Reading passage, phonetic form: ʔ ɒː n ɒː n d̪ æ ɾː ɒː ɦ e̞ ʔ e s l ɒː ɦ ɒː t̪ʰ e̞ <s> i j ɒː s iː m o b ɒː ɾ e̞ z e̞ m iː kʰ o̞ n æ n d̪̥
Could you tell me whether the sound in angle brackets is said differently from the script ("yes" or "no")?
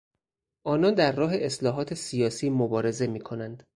no